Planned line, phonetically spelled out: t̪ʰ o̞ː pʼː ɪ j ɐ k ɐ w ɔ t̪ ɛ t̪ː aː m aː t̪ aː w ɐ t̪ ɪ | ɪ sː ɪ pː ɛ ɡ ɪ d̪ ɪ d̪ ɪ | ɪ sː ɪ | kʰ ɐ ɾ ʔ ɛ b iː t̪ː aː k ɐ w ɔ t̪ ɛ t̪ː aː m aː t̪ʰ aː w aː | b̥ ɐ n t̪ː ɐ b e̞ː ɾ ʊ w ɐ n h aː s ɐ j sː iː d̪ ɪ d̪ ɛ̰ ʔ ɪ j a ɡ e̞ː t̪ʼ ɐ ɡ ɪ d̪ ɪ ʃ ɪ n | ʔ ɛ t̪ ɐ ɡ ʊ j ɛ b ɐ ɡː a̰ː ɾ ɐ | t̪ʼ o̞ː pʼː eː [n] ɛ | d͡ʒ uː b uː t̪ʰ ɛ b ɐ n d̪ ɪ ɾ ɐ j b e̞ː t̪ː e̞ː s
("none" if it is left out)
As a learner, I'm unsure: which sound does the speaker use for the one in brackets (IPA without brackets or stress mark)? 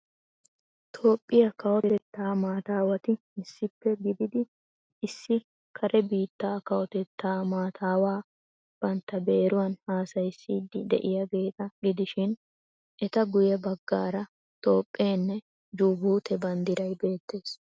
nː